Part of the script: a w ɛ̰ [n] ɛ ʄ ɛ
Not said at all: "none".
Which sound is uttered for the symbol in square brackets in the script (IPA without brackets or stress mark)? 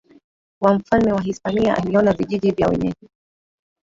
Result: ɲ